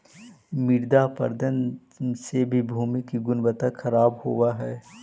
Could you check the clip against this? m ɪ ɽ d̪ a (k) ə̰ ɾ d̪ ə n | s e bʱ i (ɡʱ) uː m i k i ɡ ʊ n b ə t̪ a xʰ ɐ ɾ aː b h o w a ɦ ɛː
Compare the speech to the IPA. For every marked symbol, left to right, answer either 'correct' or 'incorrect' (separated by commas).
incorrect, incorrect